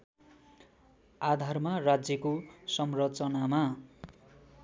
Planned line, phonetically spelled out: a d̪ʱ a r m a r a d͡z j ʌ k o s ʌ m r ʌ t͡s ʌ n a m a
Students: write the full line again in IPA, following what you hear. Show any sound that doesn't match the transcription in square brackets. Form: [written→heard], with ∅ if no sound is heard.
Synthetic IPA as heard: a d̪ʱ a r m a r a d͡z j ʌ k o s ʌ m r ʌ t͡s ʌ n a m a